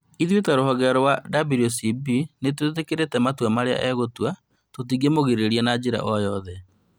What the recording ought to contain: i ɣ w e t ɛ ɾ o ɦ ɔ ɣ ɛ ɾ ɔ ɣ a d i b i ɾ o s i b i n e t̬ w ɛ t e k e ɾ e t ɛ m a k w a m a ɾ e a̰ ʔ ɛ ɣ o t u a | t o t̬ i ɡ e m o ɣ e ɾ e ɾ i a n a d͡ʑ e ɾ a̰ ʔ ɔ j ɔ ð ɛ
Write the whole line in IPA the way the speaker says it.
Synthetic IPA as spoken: i ð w e t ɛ ɾ o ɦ ɔ ɣ ɛ ɾ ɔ w a d a b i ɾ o s i b i n e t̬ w e t e k e ɾ e t ɛ m a t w a m a ɾ e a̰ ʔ ɛ ɣ o t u a | t o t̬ i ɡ e m o ɣ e ɾ e ɾ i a n a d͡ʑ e ɾ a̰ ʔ ɔ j ɔ ð ɛ